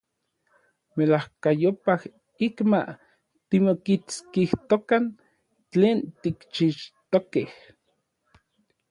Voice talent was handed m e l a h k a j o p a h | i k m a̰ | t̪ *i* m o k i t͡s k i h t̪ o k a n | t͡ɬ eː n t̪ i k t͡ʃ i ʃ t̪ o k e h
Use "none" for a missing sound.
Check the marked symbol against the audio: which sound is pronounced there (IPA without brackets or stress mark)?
i